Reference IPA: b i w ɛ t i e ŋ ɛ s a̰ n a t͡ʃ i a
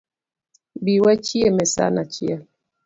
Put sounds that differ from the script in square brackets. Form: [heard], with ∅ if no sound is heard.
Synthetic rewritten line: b i w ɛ [t͡ʃ] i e [m] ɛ s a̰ n a t͡ʃ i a